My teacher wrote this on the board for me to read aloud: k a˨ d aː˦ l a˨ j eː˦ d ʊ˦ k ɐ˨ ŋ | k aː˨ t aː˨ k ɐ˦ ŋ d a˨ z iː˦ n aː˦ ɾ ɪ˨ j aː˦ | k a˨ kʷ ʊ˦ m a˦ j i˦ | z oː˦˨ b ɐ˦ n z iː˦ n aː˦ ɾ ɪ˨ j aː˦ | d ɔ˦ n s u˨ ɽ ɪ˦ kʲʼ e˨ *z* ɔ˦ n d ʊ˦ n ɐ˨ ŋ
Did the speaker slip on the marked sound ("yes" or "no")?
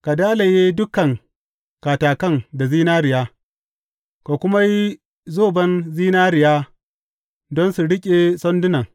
yes